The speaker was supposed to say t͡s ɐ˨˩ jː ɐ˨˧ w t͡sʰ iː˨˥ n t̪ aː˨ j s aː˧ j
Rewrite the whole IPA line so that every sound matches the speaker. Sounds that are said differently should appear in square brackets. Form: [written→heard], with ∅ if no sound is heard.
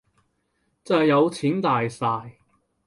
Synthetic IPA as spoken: t͡s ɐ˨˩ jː ɐ˨˧ w t͡sʰ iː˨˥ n t̪ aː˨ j s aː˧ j